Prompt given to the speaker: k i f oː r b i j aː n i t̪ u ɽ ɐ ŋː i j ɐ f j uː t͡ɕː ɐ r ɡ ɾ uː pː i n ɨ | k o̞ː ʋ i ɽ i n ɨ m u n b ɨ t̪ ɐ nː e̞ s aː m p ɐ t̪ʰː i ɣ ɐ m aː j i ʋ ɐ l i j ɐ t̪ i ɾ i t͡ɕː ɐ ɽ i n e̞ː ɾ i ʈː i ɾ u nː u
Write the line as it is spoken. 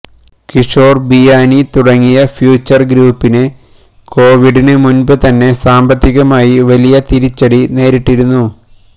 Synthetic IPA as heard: k i ʂ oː r b i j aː n i t̪ u ɽ ɐ ŋː i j ɐ f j uː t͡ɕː ɐ r ɡ ɾ uː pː i n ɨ | k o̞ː ʋ i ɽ i n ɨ m u n b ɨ t̪ ɐ nː e̞ s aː m b ɐ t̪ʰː i ɣ ɐ m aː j i ʋ ɐ l i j ɐ t̪ i ɾ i t͡ɕː ɐ ɽ i n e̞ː ɾ i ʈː i ɾ u nː u